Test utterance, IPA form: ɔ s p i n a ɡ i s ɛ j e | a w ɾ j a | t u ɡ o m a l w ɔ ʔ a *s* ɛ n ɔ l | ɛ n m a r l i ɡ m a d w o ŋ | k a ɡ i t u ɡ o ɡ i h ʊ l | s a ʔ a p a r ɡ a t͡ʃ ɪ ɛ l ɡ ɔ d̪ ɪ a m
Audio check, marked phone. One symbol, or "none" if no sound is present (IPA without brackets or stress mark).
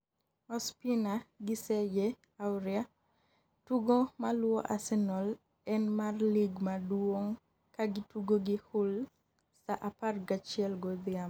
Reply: s